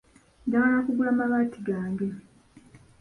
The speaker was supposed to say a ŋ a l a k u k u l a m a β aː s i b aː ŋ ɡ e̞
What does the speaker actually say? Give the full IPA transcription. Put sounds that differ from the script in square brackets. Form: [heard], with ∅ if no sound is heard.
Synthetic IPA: a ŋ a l a k u [ɡ] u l a m a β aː [t] i [ɡ] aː ŋ ɡ e̞

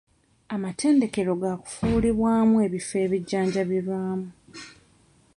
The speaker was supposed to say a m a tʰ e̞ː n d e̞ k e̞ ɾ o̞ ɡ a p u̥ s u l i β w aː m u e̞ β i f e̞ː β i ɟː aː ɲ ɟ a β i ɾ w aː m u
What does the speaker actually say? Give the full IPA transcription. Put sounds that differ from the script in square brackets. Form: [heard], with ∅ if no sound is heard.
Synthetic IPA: a m a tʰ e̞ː n d e̞ k e̞ ɾ o̞ ɡ a [k] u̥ [f] u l i β w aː m u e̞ β i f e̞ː β i ɟː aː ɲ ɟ a β i ɾ w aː m u

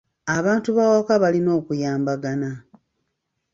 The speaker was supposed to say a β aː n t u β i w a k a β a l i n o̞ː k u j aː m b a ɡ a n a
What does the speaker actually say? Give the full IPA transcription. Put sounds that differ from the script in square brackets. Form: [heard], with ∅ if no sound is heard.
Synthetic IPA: a β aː n t u β [a] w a k a β a l i n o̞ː k u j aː m b a ɡ a n a

